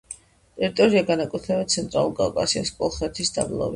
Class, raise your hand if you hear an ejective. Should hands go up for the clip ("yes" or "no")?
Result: yes